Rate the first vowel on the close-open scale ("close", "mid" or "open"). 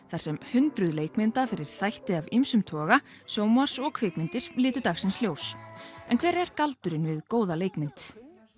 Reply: open